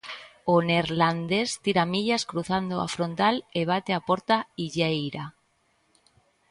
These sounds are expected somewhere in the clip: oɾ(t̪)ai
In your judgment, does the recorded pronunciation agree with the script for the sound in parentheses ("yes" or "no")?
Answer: yes